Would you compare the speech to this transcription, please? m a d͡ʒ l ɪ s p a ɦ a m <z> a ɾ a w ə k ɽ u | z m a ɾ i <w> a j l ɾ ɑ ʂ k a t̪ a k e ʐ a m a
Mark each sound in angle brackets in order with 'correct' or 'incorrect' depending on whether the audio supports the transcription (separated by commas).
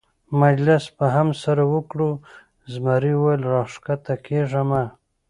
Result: incorrect, correct